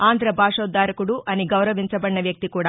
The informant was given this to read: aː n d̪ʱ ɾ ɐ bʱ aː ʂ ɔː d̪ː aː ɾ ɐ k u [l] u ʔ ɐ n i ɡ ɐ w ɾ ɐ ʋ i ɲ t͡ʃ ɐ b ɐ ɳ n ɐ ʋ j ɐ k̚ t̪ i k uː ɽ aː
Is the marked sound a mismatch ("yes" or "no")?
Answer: yes